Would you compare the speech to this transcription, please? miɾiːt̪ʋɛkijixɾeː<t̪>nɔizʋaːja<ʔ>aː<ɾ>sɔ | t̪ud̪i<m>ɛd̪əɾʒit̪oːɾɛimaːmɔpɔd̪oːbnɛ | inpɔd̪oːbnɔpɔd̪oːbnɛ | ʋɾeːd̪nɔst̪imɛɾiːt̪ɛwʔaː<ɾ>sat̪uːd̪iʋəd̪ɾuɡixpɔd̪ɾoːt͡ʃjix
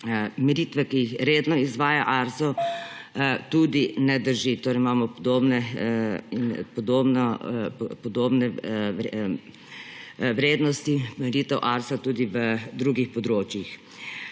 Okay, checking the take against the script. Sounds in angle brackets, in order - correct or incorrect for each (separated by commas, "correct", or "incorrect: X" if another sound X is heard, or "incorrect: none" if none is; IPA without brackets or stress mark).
incorrect: d̪, correct, correct, incorrect: n, correct